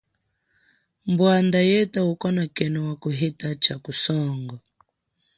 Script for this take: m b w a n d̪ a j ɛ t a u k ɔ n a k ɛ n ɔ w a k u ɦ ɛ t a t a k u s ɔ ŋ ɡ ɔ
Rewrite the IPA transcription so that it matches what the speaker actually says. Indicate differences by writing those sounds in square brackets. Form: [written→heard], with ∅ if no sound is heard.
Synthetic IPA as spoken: m b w a n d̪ a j ɛ t a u k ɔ n a k ɛ n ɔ w a k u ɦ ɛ t a [t→t͡ʃ] a k u s ɔ ŋ ɡ ɔ